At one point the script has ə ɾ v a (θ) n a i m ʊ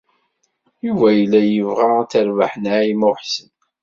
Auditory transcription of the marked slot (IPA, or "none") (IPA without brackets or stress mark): ħ